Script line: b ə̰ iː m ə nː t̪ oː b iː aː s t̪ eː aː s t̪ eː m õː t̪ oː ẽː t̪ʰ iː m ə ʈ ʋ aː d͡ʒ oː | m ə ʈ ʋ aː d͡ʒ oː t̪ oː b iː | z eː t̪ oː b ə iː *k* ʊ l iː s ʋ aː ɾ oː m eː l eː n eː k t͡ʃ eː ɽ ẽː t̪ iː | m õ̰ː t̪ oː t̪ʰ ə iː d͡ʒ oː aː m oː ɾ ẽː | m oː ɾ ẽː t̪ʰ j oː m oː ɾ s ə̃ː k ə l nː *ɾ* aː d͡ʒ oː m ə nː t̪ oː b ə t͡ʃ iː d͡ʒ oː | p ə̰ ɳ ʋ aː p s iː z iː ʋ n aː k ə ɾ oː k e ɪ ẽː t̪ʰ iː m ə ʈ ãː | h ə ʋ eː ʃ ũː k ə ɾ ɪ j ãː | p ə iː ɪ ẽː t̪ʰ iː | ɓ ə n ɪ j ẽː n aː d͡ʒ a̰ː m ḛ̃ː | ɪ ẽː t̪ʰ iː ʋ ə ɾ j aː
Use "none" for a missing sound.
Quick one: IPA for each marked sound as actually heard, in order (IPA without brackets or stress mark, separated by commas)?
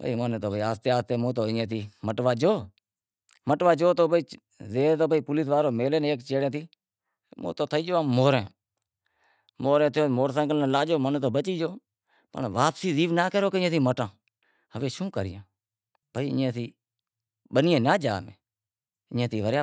p, l